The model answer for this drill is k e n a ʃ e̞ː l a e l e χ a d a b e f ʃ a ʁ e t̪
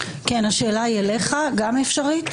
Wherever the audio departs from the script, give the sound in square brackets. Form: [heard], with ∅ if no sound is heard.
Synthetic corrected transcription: k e n a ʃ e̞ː l a [i] l e χ a [ɡ] a [m] e f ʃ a ʁ [i] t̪